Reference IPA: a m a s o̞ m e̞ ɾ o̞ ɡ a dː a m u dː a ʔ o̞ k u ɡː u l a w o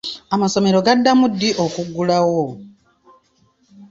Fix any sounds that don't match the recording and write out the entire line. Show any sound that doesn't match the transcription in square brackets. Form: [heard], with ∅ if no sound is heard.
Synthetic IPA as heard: a m a s o̞ m e̞ ɾ o̞ ɡ a dː a m u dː [i] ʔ o̞ k u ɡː u l a w o